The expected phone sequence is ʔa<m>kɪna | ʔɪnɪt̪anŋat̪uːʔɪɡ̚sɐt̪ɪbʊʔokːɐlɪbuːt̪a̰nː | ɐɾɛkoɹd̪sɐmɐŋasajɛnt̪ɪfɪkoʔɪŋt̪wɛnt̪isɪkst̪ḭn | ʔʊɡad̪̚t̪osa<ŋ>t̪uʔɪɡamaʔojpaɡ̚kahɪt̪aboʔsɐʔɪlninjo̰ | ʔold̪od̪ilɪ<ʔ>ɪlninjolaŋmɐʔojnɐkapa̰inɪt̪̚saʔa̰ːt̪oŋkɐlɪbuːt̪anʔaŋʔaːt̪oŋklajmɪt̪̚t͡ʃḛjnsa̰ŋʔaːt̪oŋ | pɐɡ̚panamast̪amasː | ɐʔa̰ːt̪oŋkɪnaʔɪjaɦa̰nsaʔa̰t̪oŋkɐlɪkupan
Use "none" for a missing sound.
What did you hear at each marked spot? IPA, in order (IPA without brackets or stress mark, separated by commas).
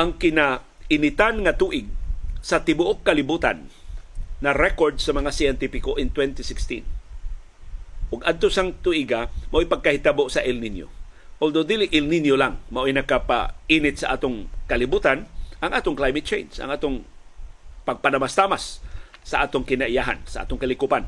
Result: ŋ, ŋ, ʔ